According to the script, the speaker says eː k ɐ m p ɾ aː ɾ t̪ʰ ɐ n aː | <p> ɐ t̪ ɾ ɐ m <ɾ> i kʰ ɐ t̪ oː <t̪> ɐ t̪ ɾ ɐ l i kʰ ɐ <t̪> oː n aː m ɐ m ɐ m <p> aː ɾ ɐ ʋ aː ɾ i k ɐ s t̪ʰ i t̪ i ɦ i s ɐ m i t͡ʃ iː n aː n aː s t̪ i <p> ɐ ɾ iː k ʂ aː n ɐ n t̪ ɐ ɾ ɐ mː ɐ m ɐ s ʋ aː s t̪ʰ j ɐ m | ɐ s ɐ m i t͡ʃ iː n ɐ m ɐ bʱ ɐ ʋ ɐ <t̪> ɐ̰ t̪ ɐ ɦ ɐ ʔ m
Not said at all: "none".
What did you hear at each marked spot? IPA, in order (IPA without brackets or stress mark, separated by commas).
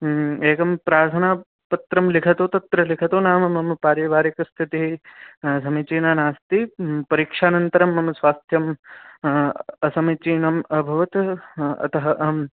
p, l, t̪, t̪, p, p, t̪